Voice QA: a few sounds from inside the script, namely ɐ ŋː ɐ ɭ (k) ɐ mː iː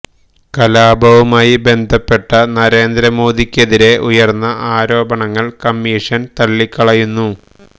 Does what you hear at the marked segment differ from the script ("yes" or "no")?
no